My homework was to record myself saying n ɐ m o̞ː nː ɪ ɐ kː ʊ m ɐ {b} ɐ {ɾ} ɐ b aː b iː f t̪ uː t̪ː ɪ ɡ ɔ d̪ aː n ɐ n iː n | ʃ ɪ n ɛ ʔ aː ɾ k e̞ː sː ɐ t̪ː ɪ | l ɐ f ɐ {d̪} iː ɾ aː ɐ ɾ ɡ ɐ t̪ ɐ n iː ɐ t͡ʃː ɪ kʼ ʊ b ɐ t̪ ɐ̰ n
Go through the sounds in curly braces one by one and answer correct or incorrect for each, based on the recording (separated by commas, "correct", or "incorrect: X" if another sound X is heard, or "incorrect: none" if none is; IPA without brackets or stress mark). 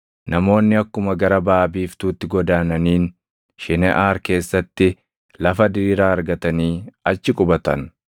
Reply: incorrect: ɡ, correct, correct